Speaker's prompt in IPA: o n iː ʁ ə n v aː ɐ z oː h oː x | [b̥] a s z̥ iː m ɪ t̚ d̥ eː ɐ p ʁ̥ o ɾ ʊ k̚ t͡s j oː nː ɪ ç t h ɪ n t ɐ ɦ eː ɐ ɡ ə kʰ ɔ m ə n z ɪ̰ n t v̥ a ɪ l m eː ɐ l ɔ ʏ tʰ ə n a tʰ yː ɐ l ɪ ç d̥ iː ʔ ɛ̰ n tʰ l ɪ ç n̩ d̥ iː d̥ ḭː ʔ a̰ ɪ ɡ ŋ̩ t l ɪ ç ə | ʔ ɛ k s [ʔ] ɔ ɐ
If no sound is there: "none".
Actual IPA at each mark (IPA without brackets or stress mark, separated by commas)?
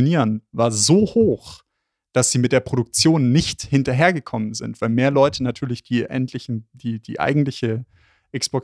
d̥, p